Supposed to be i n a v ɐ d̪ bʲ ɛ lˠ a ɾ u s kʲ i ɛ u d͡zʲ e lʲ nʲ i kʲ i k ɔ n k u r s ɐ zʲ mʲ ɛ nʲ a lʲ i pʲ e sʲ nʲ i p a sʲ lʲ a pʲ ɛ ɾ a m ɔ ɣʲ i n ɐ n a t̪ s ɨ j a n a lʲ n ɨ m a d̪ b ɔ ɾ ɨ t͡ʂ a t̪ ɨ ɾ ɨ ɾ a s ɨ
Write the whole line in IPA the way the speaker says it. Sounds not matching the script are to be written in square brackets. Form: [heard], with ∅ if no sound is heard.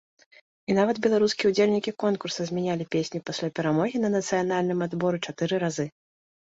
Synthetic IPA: i n a v ɐ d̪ bʲ ɛ lˠ a ɾ u s kʲ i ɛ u d͡zʲ e lʲ nʲ i kʲ i k ɔ n k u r s ɐ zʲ mʲ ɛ nʲ a lʲ i pʲ e sʲ nʲ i p a sʲ lʲ a pʲ ɛ ɾ a m ɔ ɣʲ i n ɐ n [ɐ] t̪ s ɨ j a n a lʲ n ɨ m a d̪ b ɔ ɾ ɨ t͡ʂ a t̪ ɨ ɾ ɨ ɾ a [z] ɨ